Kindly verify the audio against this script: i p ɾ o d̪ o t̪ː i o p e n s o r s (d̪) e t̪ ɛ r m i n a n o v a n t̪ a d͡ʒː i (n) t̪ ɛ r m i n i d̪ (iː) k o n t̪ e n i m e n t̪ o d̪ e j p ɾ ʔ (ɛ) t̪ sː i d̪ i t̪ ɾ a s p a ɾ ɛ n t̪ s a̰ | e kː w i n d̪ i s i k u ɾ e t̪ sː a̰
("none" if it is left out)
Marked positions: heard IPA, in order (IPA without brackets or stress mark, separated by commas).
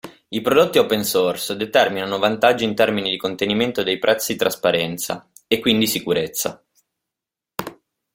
d̪, n, i, ɛ